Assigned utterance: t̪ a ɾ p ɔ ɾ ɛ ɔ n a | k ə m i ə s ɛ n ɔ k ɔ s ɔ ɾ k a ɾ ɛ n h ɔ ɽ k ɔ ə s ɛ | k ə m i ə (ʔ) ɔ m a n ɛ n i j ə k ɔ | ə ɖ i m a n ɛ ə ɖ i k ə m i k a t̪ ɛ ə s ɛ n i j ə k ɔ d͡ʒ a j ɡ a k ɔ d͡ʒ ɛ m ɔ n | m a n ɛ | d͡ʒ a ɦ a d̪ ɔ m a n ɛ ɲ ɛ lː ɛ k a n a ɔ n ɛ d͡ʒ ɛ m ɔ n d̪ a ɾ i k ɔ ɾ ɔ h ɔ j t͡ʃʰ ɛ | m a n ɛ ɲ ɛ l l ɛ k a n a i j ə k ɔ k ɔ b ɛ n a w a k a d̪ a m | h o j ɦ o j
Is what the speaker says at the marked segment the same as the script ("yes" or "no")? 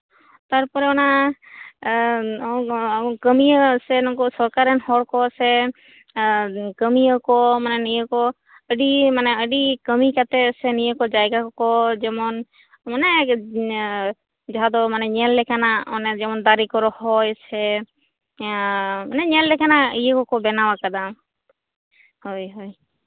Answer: no